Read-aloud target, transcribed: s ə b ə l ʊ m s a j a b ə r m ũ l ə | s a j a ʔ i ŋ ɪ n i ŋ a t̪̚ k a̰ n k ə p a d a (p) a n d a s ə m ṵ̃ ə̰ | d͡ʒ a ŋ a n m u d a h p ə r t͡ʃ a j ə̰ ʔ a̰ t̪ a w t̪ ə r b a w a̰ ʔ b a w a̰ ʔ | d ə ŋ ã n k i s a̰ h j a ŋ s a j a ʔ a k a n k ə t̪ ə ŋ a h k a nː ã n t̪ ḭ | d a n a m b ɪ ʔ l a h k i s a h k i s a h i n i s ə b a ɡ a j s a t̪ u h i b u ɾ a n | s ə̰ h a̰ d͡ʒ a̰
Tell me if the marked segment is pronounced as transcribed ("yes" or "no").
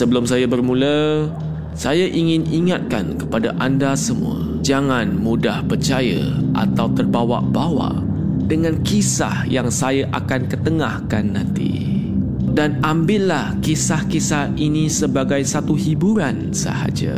no